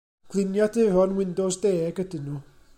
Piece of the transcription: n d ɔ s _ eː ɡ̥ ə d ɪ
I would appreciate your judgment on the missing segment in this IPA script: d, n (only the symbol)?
d